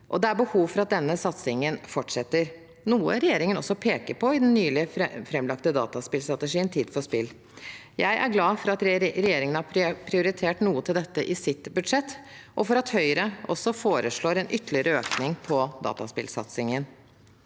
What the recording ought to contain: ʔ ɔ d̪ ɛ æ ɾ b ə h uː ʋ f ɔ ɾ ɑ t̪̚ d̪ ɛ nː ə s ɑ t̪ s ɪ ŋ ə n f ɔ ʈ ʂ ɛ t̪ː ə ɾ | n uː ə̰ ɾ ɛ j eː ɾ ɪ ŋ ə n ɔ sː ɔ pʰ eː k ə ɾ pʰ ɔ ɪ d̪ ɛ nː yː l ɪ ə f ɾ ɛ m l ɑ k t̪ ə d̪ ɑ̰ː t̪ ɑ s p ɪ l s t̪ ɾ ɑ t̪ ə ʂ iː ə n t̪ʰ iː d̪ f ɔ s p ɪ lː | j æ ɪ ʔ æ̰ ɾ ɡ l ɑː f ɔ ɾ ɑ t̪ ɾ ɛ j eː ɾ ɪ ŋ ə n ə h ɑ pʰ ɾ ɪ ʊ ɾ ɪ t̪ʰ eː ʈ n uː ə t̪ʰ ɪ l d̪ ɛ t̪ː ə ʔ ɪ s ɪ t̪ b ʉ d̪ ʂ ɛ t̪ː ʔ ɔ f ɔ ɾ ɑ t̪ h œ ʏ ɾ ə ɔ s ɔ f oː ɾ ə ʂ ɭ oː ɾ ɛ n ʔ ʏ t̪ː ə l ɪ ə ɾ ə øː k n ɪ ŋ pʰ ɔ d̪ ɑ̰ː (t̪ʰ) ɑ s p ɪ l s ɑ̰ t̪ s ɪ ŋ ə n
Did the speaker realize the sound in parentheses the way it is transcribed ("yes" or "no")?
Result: no